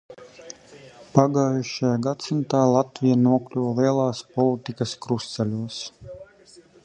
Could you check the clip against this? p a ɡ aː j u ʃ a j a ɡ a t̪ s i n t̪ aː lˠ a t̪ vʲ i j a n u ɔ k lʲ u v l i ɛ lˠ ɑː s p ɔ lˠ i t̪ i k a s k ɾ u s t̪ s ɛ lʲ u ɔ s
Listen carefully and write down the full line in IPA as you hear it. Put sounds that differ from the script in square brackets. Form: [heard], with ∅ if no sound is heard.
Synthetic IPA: p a ɡ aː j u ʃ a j a ɡ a t̪ s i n t̪ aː lˠ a t̪ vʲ i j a n u ɔ k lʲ u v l i ɛ lˠ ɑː s p ɔ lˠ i t̪ i k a s k ɾ u s t̪ s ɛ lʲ u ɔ s